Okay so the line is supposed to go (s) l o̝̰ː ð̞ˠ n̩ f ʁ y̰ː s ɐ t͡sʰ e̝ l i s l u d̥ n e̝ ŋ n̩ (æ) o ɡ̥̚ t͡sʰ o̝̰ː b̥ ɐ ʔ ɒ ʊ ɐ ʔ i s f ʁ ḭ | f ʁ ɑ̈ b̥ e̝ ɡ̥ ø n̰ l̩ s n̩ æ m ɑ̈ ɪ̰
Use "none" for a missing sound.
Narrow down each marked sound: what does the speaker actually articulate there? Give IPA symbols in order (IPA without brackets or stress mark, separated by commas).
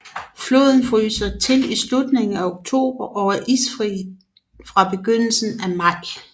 f, æ